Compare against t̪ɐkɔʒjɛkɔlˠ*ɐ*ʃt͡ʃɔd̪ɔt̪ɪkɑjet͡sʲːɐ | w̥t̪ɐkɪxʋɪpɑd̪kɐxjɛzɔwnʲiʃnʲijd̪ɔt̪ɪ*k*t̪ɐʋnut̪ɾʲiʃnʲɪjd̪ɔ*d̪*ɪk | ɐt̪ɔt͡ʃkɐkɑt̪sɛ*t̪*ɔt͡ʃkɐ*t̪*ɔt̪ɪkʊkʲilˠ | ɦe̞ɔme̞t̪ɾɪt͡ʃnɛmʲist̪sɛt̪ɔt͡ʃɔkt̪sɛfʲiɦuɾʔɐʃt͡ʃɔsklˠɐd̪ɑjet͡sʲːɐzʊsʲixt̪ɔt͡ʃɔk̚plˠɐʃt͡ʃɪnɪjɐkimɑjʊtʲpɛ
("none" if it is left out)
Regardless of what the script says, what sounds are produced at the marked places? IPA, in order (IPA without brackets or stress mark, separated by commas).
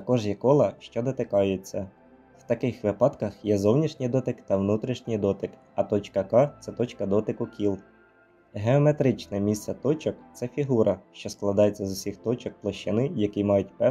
ɐ, k, t̪, t̪, d̪